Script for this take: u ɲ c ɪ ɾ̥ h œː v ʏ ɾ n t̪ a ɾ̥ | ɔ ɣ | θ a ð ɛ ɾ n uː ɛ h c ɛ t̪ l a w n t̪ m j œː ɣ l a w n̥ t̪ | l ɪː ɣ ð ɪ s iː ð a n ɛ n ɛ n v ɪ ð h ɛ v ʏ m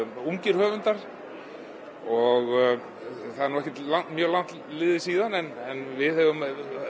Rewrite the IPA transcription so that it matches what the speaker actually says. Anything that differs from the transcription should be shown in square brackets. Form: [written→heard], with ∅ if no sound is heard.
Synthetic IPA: u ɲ c ɪ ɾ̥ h œː v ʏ [ɾ→∅] n t̪ a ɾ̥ | ɔ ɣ | θ a ð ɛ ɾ n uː ɛ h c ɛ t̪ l a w n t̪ m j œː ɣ l a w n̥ t̪ | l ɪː [ɣ→∅] ð ɪ s iː ð a n ɛ n ɛ n v ɪ ð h ɛ v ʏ m